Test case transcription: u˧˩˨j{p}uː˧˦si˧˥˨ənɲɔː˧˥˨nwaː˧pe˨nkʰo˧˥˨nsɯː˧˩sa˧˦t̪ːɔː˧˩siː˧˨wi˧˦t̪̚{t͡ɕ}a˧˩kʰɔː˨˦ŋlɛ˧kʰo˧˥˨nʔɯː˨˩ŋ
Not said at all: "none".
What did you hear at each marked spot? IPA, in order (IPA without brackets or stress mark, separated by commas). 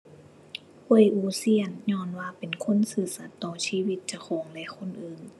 ʔ, t͡ɕ